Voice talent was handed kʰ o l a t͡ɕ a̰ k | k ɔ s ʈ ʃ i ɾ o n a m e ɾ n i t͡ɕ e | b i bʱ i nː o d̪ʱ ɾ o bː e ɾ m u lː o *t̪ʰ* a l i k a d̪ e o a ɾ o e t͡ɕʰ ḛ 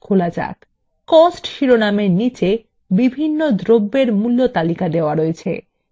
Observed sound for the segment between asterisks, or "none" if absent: t̪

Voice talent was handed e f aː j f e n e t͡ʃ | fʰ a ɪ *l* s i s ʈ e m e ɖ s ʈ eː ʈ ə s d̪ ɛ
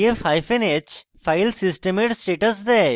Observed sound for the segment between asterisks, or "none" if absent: l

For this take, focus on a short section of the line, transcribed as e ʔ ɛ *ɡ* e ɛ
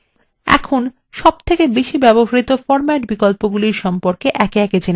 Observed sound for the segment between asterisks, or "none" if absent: k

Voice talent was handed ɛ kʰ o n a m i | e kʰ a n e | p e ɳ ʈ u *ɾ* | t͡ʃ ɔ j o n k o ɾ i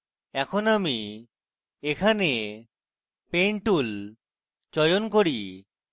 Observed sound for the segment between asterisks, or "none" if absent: l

